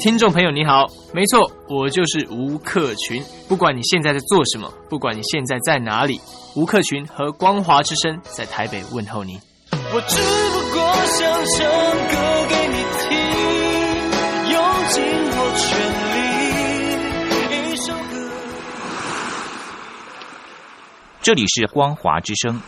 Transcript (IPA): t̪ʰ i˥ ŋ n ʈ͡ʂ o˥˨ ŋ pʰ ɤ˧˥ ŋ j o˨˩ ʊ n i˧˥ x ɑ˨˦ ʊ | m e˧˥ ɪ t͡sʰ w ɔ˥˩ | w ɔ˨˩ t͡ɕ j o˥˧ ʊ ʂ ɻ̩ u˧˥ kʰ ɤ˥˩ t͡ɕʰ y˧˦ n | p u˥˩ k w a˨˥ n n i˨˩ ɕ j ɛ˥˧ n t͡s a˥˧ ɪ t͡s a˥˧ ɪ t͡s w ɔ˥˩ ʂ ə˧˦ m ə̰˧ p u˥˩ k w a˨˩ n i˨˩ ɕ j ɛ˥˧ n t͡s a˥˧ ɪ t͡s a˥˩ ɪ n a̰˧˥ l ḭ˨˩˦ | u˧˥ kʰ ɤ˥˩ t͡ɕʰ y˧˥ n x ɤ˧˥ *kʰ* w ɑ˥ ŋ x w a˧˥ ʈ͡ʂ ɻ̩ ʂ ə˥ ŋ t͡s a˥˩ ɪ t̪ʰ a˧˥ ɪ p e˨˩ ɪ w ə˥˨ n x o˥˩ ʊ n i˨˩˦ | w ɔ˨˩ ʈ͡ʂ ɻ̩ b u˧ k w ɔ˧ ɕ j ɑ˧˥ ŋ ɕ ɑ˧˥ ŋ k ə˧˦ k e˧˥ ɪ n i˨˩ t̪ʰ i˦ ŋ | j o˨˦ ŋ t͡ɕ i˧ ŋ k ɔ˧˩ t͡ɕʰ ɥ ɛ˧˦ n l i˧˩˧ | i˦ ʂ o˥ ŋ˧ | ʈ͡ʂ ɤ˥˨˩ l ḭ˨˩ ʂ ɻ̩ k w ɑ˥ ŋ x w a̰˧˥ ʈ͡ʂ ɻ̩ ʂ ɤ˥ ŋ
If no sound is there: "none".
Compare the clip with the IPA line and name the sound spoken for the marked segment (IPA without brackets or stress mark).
k